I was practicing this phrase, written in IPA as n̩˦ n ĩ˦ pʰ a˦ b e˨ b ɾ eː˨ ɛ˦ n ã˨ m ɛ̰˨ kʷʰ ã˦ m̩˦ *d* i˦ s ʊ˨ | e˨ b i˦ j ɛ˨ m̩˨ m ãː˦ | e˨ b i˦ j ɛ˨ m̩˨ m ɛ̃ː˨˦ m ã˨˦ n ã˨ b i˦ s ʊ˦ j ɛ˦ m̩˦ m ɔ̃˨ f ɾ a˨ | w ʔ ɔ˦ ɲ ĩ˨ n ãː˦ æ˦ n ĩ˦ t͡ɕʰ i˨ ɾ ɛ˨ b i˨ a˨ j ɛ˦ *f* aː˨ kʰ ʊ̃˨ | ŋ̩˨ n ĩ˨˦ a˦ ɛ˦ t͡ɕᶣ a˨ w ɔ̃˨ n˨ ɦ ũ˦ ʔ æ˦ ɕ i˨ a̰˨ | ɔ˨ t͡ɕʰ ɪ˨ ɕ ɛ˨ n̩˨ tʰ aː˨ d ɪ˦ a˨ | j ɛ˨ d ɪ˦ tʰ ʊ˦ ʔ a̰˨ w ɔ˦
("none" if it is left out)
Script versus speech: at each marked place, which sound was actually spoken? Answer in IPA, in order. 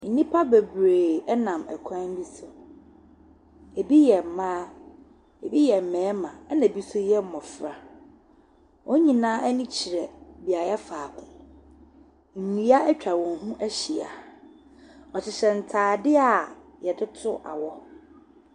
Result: b, f

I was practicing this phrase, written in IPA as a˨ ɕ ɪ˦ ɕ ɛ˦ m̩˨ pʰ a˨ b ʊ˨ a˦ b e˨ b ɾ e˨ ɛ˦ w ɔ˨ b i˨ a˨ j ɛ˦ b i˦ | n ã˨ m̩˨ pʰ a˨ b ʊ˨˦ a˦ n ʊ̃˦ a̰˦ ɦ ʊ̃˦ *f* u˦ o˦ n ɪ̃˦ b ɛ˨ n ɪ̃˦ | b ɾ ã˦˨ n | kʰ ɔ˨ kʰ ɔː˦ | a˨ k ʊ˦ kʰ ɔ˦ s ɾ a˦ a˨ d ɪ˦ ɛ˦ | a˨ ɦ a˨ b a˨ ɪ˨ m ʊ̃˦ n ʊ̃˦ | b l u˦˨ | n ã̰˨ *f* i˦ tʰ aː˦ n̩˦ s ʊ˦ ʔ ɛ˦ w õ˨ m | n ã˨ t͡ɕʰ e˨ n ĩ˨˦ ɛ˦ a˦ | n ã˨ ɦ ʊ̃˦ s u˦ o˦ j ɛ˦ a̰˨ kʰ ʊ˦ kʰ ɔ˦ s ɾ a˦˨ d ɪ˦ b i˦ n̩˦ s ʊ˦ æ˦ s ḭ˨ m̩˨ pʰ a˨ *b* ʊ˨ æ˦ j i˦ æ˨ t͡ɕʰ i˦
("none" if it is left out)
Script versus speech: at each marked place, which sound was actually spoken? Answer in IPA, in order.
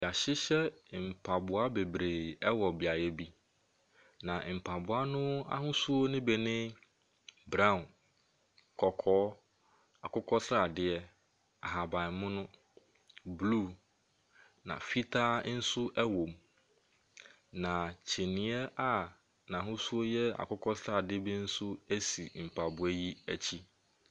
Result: s, f, b

